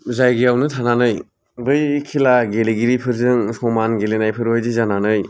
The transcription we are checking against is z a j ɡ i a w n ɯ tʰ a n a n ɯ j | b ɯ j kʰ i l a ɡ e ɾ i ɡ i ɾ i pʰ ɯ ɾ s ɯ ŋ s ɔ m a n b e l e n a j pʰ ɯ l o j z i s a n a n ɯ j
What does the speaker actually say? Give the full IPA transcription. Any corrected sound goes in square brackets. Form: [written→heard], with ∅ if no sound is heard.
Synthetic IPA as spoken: z a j ɡ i a w n ɯ tʰ a n a n ɯ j | b ɯ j kʰ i l a ɡ e [ɾ→l] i ɡ i ɾ i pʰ ɯ ɾ [s→z] ɯ ŋ s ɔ m a n [b→ɡ] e l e n a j pʰ ɯ [l→ɾ] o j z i [s→z] a n a n ɯ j